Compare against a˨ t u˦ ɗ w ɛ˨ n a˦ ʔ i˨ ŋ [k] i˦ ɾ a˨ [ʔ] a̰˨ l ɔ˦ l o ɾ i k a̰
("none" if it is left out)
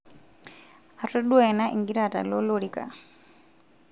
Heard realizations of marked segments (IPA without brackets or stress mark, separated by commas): ɡ, t